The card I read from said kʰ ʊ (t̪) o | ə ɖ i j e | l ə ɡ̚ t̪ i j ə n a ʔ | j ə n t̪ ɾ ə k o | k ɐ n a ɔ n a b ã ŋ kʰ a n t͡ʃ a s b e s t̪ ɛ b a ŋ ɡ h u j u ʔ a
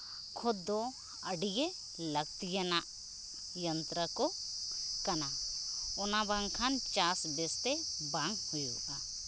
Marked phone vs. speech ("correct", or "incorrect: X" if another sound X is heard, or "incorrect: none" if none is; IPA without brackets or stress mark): incorrect: d̪